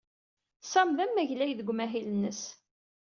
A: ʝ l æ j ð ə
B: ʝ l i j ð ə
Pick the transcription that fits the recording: A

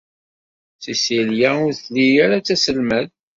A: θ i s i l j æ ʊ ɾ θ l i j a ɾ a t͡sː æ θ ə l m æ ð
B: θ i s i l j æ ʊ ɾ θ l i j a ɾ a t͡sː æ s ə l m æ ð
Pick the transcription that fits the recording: B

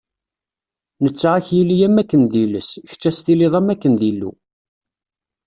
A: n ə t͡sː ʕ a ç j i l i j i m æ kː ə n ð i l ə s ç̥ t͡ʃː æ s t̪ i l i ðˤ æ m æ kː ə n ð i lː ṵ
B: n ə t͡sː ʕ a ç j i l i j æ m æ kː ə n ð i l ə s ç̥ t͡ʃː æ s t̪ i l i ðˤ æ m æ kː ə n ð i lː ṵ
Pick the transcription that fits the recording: B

